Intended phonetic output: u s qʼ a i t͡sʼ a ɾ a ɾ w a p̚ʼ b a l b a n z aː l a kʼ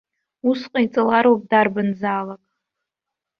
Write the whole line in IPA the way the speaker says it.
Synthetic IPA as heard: u s qʼ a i t͡sʼ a l a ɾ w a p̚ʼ d a r b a n z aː l a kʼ